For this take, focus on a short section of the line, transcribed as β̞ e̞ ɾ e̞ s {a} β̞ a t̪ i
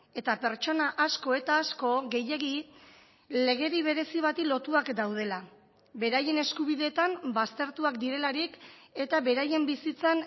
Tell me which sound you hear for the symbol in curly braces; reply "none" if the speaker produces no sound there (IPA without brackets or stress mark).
i